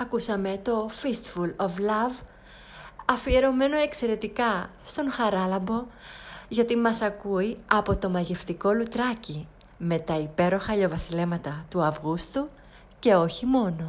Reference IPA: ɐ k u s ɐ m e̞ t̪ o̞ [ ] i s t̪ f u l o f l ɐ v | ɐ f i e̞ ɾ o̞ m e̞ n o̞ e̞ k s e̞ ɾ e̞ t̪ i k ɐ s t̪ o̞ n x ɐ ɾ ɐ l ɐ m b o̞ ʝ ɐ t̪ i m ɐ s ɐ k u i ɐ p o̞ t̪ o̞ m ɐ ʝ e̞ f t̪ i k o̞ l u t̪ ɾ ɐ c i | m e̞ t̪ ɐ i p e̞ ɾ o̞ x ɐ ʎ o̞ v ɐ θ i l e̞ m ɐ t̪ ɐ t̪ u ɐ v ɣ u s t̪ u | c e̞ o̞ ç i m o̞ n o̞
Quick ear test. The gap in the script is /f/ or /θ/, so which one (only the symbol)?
f